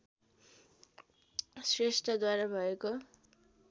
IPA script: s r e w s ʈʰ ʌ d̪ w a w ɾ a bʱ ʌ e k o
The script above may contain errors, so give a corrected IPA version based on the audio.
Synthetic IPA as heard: s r e s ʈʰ ʌ d̪ w a ɾ a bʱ ʌ e k o